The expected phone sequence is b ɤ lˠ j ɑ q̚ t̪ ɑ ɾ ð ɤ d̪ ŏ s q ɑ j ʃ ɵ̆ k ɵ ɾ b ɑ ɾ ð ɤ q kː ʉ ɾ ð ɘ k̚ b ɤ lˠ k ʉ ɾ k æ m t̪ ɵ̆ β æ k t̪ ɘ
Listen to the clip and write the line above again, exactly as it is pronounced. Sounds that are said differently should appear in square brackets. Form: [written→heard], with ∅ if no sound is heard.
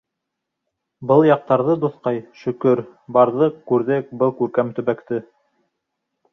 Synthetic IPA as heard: b ɤ lˠ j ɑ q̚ t̪ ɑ ɾ ð ɤ d̪ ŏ [s→θ] q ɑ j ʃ ɵ̆ k ɵ ɾ b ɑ ɾ ð ɤ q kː ʉ ɾ ð ɘ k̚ b ɤ lˠ k ʉ ɾ k æ m t̪ ɵ̆ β æ k t̪ ɘ